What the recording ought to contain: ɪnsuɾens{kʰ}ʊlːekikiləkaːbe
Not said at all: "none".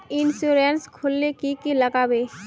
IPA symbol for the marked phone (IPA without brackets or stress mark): kʰ